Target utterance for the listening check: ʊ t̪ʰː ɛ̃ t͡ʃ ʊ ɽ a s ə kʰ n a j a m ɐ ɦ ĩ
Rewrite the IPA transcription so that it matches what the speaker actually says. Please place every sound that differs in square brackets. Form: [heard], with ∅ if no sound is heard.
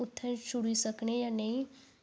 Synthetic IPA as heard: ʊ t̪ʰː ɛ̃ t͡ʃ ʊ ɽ [i] s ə [k] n [e] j a [n] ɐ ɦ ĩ